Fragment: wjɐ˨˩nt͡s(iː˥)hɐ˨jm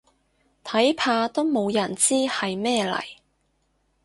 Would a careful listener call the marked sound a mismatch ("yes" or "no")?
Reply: no